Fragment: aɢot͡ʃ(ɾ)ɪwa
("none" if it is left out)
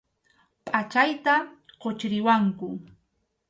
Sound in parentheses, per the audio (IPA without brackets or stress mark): ɾ